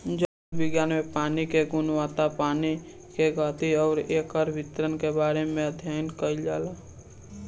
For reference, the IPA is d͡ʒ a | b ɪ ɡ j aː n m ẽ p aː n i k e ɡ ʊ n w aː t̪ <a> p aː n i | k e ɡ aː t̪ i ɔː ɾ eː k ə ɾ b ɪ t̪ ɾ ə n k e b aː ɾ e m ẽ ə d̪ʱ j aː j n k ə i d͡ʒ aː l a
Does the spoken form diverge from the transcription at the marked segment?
no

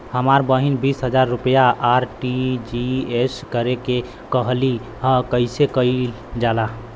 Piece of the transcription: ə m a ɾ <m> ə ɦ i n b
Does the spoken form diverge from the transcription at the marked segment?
yes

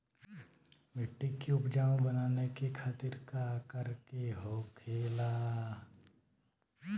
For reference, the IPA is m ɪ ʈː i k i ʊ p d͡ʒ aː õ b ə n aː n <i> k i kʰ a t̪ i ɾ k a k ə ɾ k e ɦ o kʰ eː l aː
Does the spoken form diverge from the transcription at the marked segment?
yes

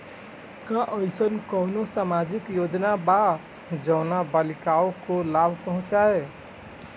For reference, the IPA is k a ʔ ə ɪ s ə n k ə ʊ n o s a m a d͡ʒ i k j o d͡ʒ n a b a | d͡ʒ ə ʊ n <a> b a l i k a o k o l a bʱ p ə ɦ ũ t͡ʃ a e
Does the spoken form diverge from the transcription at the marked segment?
no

